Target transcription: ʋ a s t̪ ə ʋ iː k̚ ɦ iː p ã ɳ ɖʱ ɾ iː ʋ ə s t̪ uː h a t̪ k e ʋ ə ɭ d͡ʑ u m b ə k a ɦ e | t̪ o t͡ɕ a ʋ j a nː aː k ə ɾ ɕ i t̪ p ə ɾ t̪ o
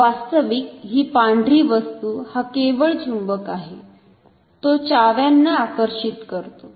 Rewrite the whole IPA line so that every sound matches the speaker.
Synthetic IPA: ʋ a s t̪ ə ʋ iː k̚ ɦ iː p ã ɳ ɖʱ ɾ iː ʋ ə s t̪ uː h a k e ʋ ə ɭ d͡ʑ u m b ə k a ɦ e | t̪ o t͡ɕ a ʋ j a nː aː k ə ɾ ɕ i t̪ k ə ɾ t̪ o

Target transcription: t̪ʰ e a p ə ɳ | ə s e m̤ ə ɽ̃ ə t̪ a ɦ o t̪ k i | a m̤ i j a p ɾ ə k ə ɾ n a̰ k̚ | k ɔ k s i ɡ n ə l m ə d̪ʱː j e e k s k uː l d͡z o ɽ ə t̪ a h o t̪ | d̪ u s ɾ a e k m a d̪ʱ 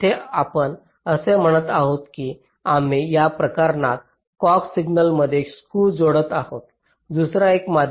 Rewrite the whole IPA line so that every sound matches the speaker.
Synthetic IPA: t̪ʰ e a p ə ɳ | ə s e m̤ ə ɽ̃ ə t̪ a ɦ o t̪ k i | a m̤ i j a p ɾ ə k a ɾ n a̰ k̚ | k ɔ k s i ɡ n ə l m ə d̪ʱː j e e k s k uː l d͡z o ɽ ə t̪ a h o t̪ | d̪ u s ɾ a e k m a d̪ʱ

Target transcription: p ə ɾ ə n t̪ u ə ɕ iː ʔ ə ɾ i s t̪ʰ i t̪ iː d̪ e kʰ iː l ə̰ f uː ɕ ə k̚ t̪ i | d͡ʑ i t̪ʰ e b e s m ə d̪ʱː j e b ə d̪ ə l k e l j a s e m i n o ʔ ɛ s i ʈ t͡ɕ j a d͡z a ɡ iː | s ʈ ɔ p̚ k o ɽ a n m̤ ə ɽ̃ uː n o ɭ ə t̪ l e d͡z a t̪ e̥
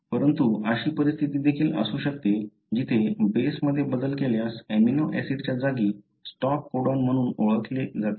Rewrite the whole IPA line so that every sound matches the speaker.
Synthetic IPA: p ə ɾ ə n t̪ u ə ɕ iː p ə ɾ i s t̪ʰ i t̪ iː d̪ e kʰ iː l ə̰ s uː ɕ ə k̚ t̪ e | d͡ʑ i t̪ʰ e b e s m ə d̪ʱː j e b ə d̪ ə l k e l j a s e m i n o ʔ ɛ s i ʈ t͡ɕ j a d͡z a ɡ iː | s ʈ ɔ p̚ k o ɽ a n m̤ ə ɽ̃ uː n o ɭ ə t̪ l e d͡z a t̪ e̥

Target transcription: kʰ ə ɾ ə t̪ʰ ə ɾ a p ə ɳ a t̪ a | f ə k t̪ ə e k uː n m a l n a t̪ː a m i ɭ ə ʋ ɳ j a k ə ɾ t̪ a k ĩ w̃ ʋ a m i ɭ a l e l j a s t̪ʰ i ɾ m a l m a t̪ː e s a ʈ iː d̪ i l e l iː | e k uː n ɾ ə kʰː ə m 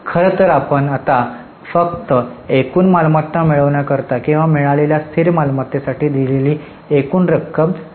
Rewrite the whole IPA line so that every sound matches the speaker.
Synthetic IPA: kʰ ə ɾ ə t̪ ə ɾ a p ə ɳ a t̪ a | f ə k t̪ ə e k uː n m a l m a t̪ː a m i ɭ ə ʋ ɳ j a k ə ɾ t̪ a k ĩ w̃ ʋ a m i ɭ a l e l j a s t̪ʰ i ɾ m a l m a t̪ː e s a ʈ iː d̪ i l e l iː | e k uː n ɾ ə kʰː ə m

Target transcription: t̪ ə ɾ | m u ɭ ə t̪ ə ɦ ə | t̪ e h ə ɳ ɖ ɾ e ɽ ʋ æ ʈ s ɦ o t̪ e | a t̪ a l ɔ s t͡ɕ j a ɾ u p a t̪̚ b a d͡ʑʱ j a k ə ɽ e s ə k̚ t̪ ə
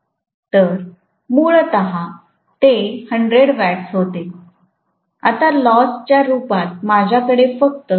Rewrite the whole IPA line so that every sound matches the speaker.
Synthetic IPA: t̪ ə ɾ | m u ɭ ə t̪ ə ɦ a | t̪ e h ə ɳ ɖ ɾ e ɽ ʋ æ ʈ s ɦ o t̪ e | a t̪ a l ɔ s t͡ɕ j a ɾ u p a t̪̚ m a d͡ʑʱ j a k ə ɽ e f ə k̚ t̪ ə

